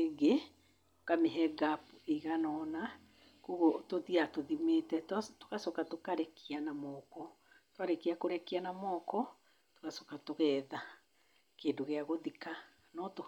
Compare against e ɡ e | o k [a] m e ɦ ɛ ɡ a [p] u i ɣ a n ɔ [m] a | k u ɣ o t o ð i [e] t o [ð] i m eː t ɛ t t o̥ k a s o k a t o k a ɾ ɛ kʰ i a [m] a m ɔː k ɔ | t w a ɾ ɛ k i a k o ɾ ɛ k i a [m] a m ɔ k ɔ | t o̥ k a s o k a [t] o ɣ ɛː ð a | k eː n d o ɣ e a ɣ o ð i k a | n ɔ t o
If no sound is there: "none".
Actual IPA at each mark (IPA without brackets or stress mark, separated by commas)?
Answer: a, p, n, a, ð, n, n, t